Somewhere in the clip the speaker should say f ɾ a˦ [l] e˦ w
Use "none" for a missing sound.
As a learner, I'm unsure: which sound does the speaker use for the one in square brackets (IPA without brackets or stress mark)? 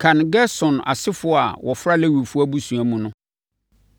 l